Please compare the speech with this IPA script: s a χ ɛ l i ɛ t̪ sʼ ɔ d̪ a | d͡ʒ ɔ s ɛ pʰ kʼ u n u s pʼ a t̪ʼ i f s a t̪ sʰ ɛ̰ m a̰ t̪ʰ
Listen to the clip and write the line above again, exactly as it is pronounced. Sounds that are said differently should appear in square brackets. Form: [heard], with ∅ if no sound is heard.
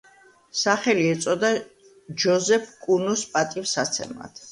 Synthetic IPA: s a χ ɛ l i ɛ t̪ sʼ ɔ d̪ a | d͡ʒ ɔ [z] ɛ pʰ kʼ u n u s pʼ a t̪ʼ i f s a t̪ sʰ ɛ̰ m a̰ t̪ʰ

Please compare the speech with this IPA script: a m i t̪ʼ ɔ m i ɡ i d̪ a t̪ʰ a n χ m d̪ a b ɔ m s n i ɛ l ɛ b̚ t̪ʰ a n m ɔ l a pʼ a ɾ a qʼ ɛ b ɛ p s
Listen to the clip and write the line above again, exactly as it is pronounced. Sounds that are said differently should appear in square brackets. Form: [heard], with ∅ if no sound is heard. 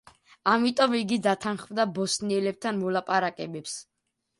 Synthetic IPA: a m i t̪ʼ ɔ m i ɡ i d̪ a t̪ʰ a n χ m d̪ a b ɔ [∅] s n i ɛ l ɛ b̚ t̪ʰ a n m ɔ l a pʼ a ɾ a [kʼ] ɛ b ɛ p s

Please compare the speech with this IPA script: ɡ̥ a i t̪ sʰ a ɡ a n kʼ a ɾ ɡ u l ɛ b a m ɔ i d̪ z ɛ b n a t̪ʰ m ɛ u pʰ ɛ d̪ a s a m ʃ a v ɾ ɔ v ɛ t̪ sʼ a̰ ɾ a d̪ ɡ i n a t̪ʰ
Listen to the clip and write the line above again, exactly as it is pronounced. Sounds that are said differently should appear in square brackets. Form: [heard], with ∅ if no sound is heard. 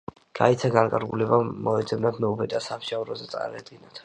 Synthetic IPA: ɡ̥ a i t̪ sʰ a ɡ a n kʼ a ɾ ɡ u l ɛ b a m ɔ [ɛ] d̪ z ɛ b n a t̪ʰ m ɛ u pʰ ɛ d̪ a s a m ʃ a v ɾ ɔ [z] ɛ t̪ sʼ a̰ ɾ a d̪ ɡ i n a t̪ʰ

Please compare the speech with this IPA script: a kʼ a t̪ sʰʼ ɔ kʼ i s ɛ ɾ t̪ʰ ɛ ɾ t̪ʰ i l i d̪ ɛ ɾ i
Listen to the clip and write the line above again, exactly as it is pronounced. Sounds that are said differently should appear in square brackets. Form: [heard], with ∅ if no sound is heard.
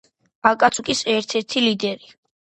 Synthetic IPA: a kʼ a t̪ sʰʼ [u] kʼ i s ɛ ɾ t̪ʰ ɛ ɾ t̪ʰ i l i d̪ ɛ ɾ i

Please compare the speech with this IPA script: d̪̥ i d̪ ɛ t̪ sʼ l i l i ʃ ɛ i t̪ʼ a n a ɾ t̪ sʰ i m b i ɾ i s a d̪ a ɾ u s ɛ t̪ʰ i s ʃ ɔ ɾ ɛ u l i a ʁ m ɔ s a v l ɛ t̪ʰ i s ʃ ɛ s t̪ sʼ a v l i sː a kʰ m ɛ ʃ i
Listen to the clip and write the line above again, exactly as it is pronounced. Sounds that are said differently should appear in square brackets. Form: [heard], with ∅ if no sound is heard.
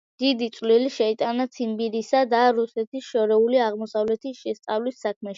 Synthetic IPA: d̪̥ i d̪ [i] t̪ sʼ l i l i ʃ ɛ i t̪ʼ a n a [∅] t̪ sʰ i m b i ɾ i s a d̪ a ɾ u s ɛ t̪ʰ i s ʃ ɔ ɾ ɛ u l i a ʁ m ɔ s a v l ɛ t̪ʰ i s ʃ ɛ s t̪ sʼ a v l i sː a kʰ m ɛ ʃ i

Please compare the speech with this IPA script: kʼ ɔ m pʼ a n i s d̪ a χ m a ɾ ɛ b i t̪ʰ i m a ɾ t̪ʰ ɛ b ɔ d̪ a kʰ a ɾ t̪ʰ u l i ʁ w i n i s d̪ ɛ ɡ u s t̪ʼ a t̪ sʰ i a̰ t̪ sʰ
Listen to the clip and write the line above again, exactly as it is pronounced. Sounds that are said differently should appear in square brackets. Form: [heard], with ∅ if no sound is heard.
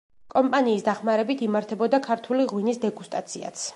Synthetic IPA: kʼ ɔ m pʼ a n [iː] s d̪ a χ m a ɾ ɛ b i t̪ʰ i m a ɾ t̪ʰ ɛ b ɔ d̪ a kʰ a ɾ t̪ʰ u l i ʁ w i n i s d̪ ɛ ɡ u s t̪ʼ a t̪ sʰ i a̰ t̪ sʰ

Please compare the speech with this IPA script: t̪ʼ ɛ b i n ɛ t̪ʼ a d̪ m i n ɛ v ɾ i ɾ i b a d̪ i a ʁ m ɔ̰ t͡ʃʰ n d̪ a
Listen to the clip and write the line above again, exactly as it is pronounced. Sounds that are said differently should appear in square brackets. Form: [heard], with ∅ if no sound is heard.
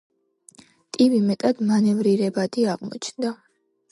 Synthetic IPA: t̪ʼ [i] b i [m] ɛ t̪ʼ a d̪ m [a] n ɛ v ɾ i ɾ [ɛ] b a d̪ i a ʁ m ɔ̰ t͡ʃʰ n d̪ a

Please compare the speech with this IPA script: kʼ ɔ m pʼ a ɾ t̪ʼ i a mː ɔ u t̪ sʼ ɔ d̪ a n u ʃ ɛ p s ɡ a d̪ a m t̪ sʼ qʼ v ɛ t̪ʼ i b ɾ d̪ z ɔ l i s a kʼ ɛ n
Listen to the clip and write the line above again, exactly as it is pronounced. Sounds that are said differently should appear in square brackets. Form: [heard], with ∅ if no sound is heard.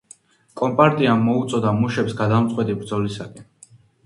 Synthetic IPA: kʼ ɔ m pʼ a ɾ t̪ʼ i a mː ɔ u t̪ sʼ ɔ d̪ a [m] u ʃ ɛ p s ɡ a d̪ a m t̪ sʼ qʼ [w] ɛ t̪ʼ i b ɾ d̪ z ɔ l i s a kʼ ɛ n

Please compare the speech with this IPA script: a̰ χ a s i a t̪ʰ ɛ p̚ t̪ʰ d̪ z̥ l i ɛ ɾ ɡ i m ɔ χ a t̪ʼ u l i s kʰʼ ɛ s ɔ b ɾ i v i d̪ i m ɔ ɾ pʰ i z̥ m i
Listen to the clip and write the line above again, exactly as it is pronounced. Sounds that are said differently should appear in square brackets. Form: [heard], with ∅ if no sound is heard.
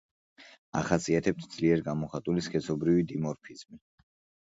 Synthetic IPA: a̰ χ a s i a t̪ʰ ɛ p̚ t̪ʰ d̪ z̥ l i ɛ ɾ ɡ [a] m ɔ χ a t̪ʼ u l i s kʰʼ ɛ s ɔ b ɾ i v i d̪ i m ɔ ɾ pʰ i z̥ m i

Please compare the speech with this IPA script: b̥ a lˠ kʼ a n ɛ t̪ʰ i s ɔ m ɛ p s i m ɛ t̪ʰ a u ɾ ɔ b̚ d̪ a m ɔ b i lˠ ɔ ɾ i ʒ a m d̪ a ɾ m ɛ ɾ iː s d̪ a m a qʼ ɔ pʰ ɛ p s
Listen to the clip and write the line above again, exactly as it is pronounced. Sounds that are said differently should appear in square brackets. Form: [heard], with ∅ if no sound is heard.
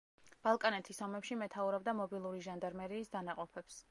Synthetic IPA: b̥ a lˠ kʼ a n ɛ t̪ʰ i s ɔ m ɛ p [ʃ] i m ɛ t̪ʰ a u ɾ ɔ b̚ d̪ a m ɔ b i lˠ [u] ɾ i ʒ a [n] d̪ a ɾ m ɛ ɾ iː s d̪ a [n] a qʼ ɔ pʰ ɛ p s

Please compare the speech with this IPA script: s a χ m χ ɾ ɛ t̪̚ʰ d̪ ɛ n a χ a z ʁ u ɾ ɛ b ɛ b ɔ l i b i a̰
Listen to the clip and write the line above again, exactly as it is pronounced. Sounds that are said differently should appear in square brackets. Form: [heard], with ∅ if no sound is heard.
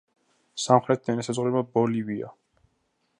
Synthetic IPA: s a [∅] m χ ɾ ɛ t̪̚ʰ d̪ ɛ n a [s] a z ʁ u ɾ ɛ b [a] b ɔ l i [v] i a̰

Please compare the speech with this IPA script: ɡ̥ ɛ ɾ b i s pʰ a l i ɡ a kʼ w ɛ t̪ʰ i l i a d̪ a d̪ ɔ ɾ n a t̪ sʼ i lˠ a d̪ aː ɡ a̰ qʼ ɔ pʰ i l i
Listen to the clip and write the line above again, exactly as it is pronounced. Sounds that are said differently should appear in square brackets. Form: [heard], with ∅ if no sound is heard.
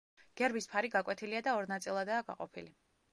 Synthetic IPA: ɡ̥ ɛ ɾ b i s pʰ a [ɾ] i ɡ a kʼ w ɛ t̪ʰ i l i a d̪ a [∅] ɔ ɾ n a t̪ sʼ i lˠ a d̪ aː ɡ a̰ qʼ ɔ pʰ i l i

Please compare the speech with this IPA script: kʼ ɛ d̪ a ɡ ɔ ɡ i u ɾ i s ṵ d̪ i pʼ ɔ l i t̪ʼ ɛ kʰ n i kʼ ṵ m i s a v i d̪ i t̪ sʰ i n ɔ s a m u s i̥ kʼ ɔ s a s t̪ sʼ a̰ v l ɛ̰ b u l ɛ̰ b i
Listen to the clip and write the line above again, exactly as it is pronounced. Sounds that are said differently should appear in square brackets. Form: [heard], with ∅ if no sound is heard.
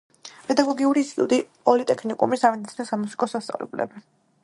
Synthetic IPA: [pʼ] ɛ d̪ a ɡ ɔ ɡ i u ɾ i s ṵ d̪ i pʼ ɔ l i t̪ʼ ɛ kʰ n i kʼ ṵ m i s a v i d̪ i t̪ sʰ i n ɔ s a m u s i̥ kʼ ɔ s a s t̪ sʼ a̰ v l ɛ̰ b u l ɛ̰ b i

